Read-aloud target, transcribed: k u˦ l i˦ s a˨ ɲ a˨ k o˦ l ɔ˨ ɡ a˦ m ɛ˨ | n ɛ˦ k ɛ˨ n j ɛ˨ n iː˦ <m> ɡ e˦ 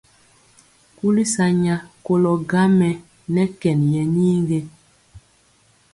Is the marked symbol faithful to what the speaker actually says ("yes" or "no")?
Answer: no